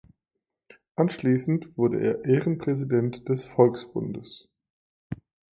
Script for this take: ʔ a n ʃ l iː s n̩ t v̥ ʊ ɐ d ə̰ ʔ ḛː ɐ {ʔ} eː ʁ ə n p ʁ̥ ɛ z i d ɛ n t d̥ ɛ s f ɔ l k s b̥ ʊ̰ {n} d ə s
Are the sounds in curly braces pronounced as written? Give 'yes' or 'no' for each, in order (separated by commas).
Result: yes, yes